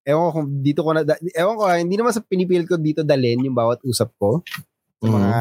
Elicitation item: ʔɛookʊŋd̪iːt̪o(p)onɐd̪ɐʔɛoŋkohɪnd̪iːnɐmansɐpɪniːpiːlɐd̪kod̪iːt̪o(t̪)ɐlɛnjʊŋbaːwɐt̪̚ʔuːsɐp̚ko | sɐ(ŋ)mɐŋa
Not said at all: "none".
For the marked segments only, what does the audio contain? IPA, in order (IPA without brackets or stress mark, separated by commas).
k, d̪, none